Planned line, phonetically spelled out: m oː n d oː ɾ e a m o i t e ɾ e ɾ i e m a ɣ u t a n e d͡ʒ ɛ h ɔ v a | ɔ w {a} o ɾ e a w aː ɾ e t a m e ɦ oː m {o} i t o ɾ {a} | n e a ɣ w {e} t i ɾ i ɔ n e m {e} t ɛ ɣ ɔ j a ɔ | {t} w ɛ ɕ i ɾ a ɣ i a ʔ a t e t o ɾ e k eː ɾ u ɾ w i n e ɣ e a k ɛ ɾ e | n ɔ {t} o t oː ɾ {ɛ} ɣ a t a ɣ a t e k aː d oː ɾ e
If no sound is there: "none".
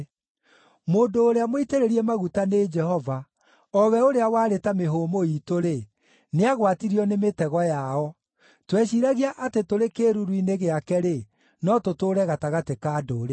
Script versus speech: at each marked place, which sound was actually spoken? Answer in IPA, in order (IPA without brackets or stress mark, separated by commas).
ɛ, o, e, a, e, t, t, ɛ